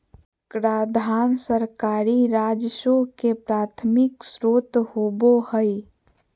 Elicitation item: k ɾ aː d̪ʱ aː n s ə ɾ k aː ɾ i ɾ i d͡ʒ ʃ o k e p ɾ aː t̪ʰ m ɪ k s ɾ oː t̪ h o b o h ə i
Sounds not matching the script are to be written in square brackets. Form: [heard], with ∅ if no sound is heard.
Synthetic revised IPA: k ɾ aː d̪ʱ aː n s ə ɾ k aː ɾ i ɾ [a] d͡ʒ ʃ o k e p ɾ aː t̪ʰ m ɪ k s ɾ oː t̪ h o b o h ə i